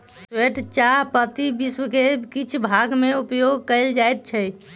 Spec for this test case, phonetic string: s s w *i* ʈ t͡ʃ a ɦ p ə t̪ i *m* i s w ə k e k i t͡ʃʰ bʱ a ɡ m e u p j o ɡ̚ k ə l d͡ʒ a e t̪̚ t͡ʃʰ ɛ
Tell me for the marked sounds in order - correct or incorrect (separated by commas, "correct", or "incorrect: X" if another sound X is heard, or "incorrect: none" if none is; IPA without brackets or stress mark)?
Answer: incorrect: e, incorrect: b